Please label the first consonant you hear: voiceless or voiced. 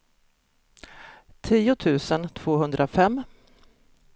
voiceless